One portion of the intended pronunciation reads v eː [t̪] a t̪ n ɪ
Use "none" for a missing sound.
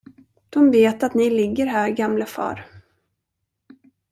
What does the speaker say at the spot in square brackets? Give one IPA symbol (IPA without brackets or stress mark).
t̪